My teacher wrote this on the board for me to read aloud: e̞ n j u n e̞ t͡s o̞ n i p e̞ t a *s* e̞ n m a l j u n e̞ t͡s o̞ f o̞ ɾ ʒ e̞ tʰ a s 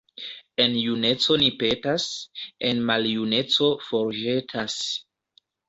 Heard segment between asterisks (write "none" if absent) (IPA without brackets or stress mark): s